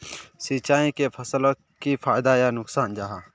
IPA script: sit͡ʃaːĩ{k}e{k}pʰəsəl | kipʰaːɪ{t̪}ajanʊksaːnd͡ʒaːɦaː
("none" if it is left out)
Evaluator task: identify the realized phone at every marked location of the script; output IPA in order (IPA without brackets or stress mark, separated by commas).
k, none, d̪